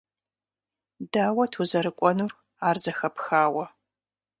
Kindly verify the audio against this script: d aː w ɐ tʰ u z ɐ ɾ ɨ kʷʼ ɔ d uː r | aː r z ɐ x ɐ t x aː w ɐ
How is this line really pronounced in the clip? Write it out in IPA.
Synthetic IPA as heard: d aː w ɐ tʰ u z ɐ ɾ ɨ kʷʼ ɔ n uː r | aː r z ɐ x ɐ p x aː w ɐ